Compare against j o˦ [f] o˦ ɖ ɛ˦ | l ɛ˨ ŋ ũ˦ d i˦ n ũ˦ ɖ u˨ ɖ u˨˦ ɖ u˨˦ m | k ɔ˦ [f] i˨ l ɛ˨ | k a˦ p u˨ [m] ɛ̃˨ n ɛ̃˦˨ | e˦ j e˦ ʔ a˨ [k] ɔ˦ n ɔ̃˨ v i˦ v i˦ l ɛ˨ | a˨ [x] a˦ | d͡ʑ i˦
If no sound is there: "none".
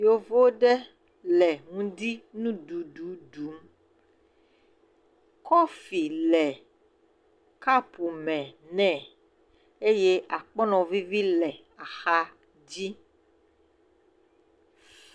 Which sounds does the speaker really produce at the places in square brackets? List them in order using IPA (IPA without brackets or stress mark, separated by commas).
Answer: v, f, m, k͡p, x